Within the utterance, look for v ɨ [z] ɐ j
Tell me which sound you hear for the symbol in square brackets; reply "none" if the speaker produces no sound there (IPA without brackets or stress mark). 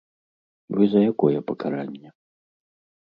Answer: z